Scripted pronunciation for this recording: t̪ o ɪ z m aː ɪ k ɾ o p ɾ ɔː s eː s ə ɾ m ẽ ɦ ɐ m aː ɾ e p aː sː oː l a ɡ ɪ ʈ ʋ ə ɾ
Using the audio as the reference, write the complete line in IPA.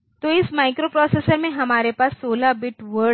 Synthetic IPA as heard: t̪ o ɪ s m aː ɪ k ɾ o p ɾ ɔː s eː s ə ɾ m ẽ ɦ ɐ m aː ɾ e p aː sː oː l a b ɪ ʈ ʋ ə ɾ